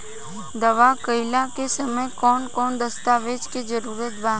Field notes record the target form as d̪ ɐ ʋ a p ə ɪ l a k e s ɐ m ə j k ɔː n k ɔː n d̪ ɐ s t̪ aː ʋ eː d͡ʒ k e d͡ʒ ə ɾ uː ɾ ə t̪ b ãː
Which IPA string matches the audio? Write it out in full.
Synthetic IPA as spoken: d̪ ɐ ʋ a k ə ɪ l a k e s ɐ m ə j k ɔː n k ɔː n d̪ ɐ s t̪ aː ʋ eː d͡ʒ k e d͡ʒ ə ɾ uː ɾ ə t̪ b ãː